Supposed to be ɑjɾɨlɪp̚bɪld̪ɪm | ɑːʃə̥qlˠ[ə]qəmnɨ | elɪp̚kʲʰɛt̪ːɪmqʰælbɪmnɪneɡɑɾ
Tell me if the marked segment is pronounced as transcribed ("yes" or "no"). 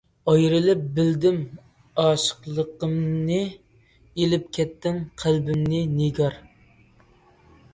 yes